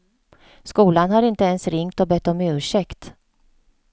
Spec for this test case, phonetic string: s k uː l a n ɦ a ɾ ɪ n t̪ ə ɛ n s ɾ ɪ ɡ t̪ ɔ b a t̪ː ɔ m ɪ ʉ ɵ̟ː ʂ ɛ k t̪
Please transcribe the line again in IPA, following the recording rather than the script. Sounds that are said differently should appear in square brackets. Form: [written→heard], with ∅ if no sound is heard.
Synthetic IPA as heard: s k uː l a n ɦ a ɾ ɪ n t̪ ə ɛ n s ɾ ɪ [ɡ→ŋ] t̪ ɔ b [a→ɛ] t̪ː ɔ m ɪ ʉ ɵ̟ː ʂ ɛ k t̪